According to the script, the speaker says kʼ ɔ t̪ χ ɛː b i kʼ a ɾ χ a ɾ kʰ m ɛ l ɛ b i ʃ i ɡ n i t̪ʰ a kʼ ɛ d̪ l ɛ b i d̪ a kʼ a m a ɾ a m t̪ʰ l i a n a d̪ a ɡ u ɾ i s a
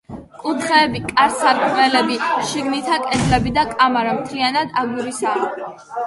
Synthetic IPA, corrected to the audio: kʼ u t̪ χ ɛː b i kʼ a ɾ s a ɾ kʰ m ɛ l ɛ b i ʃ i ɡ n i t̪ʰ a kʼ ɛ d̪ l ɛ b i d̪ a kʼ a m a ɾ a m t̪ʰ l i a n a d̪ a ɡ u ɾ i s a